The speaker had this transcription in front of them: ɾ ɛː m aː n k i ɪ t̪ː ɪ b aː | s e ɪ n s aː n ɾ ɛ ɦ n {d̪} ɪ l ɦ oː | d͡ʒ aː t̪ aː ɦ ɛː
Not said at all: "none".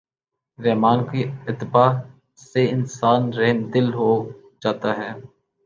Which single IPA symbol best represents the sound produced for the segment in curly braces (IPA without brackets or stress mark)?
d̪